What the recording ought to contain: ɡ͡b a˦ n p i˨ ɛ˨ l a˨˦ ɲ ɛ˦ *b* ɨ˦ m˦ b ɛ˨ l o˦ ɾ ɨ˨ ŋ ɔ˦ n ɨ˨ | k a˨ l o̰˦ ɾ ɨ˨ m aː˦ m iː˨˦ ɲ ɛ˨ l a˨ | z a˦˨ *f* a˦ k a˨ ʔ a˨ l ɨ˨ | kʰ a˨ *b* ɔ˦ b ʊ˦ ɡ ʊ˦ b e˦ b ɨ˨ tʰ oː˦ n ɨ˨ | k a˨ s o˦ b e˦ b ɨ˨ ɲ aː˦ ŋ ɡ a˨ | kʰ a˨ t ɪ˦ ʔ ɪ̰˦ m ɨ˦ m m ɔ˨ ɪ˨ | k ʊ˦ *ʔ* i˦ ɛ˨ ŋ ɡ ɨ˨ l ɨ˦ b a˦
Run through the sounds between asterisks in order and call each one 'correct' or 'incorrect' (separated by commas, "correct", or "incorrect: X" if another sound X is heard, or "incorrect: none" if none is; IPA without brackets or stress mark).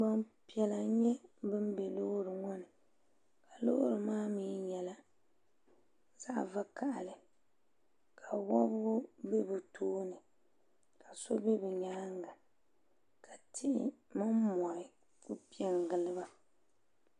correct, incorrect: v, incorrect: w, incorrect: p